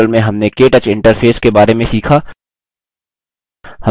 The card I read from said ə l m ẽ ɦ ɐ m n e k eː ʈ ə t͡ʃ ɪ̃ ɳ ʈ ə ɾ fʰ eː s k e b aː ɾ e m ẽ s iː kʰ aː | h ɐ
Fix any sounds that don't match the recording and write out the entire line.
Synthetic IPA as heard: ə l m ẽ ɦ ɐ m n e k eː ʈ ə t͡ʃ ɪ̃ ɳ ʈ ə ɾ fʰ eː s k e b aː ɾ e m ẽ s iː kʰ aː | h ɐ